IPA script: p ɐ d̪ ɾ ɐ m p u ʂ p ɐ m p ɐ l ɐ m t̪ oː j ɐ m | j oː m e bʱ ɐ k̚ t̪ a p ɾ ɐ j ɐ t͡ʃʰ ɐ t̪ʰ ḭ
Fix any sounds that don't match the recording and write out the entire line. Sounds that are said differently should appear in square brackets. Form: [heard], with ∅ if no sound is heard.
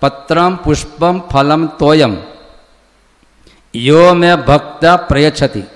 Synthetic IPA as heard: p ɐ [t̪] ɾ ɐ m p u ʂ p ɐ m [pʰ] ɐ l ɐ m t̪ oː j ɐ m | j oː m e bʱ ɐ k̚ t̪ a p ɾ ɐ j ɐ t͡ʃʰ ɐ [t̪] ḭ